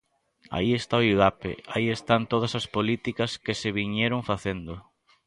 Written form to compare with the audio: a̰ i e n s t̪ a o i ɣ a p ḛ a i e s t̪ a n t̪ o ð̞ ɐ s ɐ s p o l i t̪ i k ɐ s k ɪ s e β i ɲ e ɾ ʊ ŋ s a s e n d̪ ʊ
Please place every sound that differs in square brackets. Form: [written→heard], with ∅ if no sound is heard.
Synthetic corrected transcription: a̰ i e [n→∅] s t̪ a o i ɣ a p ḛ a i e s t̪ a n t̪ o ð̞ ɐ s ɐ s p o l i t̪ i k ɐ s k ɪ s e β i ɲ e ɾ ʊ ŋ [s→f] a [s→θ] e n d̪ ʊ